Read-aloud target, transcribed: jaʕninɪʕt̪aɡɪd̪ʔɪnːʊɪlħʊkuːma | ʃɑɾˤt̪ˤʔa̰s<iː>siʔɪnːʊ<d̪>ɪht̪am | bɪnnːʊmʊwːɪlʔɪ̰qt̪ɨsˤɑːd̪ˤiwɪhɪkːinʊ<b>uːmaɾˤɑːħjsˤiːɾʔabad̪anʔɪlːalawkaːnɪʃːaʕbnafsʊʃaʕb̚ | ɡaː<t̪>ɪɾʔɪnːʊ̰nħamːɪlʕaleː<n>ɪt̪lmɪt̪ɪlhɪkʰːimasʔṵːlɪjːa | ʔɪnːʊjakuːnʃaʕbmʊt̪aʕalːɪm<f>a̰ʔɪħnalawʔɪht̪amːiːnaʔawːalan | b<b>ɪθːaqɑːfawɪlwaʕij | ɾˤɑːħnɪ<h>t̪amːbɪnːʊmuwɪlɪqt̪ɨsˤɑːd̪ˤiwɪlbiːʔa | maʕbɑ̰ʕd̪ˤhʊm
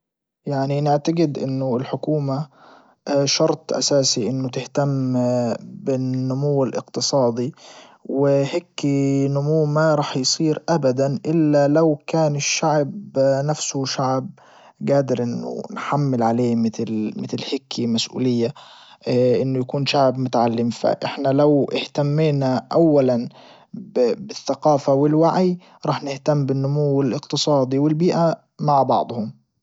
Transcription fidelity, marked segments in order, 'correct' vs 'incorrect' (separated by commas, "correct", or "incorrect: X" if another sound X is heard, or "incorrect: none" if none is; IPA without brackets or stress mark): incorrect: aː, incorrect: t̪, incorrect: m, incorrect: d̪, incorrect: m, correct, correct, correct